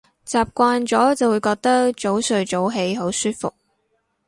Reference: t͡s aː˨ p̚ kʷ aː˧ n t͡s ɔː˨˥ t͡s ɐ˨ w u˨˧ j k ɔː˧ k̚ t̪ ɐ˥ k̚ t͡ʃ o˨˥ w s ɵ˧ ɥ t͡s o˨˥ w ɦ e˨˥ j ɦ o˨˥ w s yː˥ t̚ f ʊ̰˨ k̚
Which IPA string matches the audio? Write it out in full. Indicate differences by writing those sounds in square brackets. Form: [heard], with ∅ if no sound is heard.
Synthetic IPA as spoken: t͡s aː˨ p̚ kʷ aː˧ n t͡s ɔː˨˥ t͡s ɐ˨ w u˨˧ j k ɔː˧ k̚ t̪ ɐ˥ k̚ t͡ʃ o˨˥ w s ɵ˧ ɥ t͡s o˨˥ w ɦ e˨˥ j ɦ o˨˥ w s yː˥ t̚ f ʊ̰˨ k̚